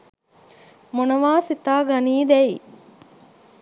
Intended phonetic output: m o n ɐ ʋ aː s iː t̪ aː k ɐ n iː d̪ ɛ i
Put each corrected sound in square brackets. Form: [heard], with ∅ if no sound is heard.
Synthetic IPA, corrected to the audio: m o n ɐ ʋ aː s [i] t̪ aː [ɡ] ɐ n iː d̪ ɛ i